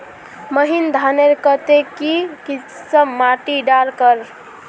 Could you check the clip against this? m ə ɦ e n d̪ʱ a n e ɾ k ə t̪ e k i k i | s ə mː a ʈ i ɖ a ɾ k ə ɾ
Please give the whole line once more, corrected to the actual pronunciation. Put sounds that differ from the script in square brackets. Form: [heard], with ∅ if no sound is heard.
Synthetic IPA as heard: m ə ɦ [i] n d̪ʱ a n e ɾ k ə t̪ e k i k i | s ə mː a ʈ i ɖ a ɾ k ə ɾ